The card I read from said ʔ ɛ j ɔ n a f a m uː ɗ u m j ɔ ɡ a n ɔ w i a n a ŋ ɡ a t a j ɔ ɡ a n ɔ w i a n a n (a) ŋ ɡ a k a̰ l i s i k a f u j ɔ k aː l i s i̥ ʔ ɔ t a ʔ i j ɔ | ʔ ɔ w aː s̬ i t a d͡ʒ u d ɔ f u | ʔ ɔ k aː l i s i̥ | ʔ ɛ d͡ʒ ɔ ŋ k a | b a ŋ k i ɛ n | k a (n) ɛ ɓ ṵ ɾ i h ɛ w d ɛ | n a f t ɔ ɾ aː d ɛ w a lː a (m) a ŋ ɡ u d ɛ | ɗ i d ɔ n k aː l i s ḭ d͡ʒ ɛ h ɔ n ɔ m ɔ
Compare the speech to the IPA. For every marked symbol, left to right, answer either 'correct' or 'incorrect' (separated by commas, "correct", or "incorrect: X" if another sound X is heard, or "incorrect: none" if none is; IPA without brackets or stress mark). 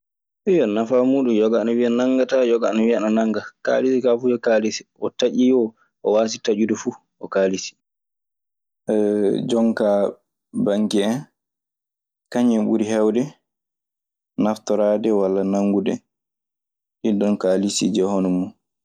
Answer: correct, incorrect: ɲ, incorrect: n